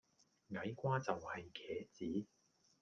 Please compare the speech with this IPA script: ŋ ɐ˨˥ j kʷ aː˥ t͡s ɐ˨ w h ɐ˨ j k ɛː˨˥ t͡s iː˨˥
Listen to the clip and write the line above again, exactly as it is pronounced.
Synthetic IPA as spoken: ŋ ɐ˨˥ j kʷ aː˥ t͡s ɐ˨ w h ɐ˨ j kʰ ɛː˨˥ t͡s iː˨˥